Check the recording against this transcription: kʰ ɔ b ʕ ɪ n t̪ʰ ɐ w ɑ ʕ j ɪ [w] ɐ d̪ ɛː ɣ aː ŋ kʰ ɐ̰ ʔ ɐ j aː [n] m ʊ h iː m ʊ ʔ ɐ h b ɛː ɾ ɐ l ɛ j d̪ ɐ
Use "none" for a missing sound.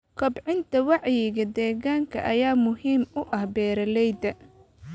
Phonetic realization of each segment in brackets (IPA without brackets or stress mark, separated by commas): ɣ, none